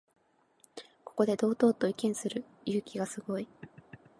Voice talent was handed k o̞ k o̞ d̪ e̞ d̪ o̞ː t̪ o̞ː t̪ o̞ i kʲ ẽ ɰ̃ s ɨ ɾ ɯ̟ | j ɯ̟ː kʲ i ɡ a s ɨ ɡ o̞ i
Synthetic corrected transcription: k o̞ k o̞ d̪ e̞ d̪ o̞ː t̪ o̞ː t̪ o̞ i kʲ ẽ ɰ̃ s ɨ ɾ ɯ̟ | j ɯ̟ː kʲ i ɡ a s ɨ ɡ o̞ i